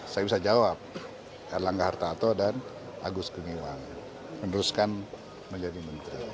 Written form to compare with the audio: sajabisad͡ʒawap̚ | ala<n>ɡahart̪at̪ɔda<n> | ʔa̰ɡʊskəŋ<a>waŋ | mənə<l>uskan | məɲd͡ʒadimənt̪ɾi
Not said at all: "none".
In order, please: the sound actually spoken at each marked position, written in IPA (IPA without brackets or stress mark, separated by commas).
ŋ, n, i, ɾ